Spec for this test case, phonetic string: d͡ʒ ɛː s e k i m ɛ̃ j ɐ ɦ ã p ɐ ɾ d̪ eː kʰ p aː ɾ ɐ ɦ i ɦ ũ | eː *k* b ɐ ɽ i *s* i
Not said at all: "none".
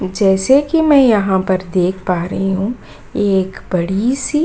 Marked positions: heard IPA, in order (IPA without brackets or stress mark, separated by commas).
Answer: k, s